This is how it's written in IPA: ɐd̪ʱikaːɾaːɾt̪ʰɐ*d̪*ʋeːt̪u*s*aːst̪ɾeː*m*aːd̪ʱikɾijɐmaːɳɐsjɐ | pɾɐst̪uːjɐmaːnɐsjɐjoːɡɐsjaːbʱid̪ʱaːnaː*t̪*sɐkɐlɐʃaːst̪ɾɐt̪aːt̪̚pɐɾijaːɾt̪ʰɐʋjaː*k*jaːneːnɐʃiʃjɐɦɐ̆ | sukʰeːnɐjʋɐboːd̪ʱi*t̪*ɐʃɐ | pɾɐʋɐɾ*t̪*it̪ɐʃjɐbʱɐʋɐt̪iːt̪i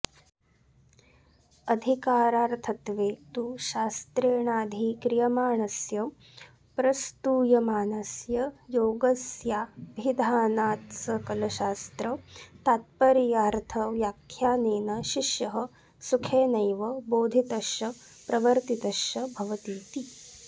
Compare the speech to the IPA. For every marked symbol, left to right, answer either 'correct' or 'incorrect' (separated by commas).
incorrect, incorrect, incorrect, correct, incorrect, correct, correct